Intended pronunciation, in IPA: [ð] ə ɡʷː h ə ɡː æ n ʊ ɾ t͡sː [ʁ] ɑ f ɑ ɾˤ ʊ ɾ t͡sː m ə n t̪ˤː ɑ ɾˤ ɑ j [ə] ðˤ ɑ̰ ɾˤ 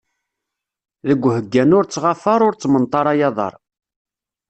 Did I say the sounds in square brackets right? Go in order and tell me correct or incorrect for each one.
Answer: correct, correct, incorrect: ɑ

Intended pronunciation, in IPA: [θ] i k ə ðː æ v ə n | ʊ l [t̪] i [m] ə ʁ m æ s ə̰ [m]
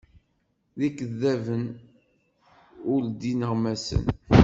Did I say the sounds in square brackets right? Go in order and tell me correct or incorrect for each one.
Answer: incorrect: ð, incorrect: d̪, incorrect: n, incorrect: n

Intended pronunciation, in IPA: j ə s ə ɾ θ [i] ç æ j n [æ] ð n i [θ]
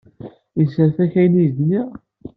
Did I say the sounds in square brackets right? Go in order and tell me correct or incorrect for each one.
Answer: incorrect: æ, incorrect: i, incorrect: none

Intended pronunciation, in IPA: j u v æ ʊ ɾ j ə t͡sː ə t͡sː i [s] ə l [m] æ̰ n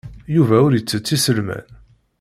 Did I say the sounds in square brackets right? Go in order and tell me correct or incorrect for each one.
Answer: correct, correct

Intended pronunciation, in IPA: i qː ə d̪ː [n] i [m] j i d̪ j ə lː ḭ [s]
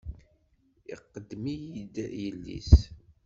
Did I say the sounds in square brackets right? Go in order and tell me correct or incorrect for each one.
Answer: incorrect: m, incorrect: none, correct

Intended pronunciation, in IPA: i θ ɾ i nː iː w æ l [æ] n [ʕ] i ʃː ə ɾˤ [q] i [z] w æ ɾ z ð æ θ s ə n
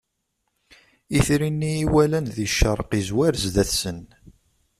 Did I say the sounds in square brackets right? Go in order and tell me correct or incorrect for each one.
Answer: correct, incorrect: ð, correct, correct

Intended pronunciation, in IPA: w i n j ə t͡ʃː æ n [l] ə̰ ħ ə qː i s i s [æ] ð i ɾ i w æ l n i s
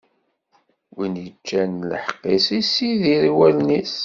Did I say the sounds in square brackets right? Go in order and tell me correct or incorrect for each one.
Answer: correct, incorrect: i

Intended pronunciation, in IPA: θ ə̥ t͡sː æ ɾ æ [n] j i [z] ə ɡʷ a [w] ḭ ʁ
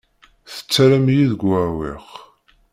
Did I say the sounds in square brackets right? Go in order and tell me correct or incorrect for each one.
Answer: incorrect: m, incorrect: ð, correct

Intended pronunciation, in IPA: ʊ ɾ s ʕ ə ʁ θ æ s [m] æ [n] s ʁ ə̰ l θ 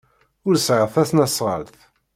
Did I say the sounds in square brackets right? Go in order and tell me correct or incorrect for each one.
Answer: incorrect: n, incorrect: none

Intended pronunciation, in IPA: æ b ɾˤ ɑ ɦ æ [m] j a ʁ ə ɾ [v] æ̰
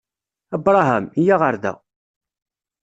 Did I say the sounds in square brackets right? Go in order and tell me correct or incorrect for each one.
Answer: correct, incorrect: ð

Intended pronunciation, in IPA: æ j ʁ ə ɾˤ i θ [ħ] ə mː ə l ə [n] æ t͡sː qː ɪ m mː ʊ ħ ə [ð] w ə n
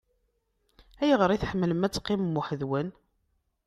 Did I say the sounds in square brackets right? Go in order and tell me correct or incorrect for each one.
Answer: correct, incorrect: m, correct

